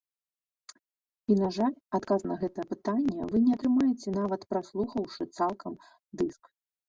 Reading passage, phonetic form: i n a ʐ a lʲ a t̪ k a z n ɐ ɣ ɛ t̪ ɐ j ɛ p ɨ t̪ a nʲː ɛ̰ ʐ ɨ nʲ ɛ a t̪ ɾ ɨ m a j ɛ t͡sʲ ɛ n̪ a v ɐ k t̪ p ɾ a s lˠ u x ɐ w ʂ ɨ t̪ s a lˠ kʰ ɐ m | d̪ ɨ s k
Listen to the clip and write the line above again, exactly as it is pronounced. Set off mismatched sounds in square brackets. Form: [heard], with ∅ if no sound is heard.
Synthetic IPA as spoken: i n a ʐ a lʲ a t̪ k a z n ɐ ɣ ɛ t̪ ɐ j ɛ p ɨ t̪ a nʲː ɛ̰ [v] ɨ nʲ ɛ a t̪ ɾ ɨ m a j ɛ t͡sʲ ɛ n̪ a v ɐ [∅] t̪ p ɾ a s lˠ u x ɐ w ʂ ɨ t̪ s a lˠ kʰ ɐ m | d̪ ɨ s k